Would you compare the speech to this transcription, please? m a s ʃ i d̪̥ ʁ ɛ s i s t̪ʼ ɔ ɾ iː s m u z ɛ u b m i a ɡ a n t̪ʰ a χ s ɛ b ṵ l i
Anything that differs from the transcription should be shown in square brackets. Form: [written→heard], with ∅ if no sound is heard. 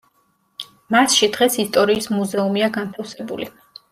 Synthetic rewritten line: m a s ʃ i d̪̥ ʁ ɛ s i s t̪ʼ ɔ ɾ iː s m u z ɛ u [b→∅] m i a ɡ a n t̪ʰ a [χ→f] s ɛ b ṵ l i